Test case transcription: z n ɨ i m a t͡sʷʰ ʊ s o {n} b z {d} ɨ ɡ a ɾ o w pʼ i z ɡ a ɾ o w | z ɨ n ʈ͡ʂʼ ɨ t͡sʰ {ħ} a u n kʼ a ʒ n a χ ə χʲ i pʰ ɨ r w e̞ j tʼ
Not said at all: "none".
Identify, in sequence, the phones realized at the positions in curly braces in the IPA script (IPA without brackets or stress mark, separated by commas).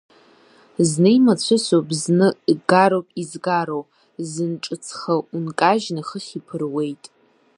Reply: none, n, χ